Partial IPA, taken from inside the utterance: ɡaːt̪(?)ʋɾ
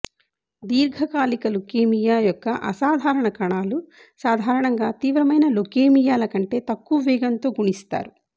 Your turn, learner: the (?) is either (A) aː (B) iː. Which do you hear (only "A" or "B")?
B